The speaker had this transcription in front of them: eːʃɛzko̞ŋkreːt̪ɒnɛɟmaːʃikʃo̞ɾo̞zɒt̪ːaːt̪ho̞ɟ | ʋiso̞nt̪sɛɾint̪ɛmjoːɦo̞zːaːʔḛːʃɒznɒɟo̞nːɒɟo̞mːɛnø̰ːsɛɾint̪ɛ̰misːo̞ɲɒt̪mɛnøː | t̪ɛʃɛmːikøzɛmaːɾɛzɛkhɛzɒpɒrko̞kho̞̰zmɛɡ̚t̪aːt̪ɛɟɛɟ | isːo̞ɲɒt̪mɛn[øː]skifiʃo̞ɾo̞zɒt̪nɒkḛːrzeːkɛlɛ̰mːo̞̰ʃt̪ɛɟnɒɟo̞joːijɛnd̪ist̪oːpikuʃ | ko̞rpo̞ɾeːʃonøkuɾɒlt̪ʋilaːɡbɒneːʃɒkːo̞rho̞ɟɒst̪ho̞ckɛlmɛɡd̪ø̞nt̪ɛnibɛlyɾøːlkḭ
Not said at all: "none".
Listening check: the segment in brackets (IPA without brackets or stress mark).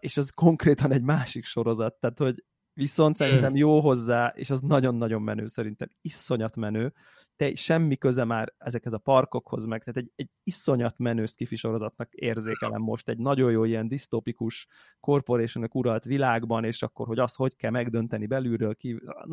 øː